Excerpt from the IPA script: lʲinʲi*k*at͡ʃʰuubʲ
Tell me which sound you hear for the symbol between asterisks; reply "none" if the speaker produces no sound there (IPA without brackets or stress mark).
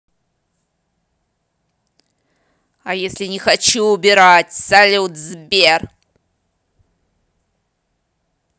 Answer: x